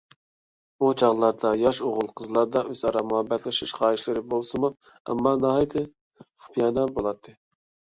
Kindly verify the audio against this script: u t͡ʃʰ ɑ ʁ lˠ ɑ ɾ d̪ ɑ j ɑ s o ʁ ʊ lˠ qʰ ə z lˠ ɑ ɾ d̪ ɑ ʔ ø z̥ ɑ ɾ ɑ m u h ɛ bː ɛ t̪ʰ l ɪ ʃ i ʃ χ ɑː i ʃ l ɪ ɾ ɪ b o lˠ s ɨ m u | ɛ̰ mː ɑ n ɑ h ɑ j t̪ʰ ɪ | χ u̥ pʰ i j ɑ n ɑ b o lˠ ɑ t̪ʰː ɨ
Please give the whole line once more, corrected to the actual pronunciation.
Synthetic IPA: u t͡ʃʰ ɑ ʁ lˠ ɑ ɾ d̪ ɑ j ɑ ʃ o ʁ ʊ lˠ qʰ ə z lˠ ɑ ɾ d̪ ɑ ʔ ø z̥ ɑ ɾ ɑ m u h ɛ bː ɛ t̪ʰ l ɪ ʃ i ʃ χ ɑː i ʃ l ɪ ɾ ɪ b o lˠ s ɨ m u | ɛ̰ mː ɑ n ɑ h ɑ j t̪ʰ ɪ | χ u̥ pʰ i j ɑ n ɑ b o lˠ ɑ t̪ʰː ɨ